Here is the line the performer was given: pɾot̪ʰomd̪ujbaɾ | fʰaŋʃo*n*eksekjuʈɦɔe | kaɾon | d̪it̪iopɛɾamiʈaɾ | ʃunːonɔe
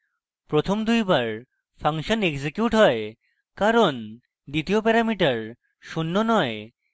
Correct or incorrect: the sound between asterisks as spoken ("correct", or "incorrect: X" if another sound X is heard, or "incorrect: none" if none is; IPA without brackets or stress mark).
correct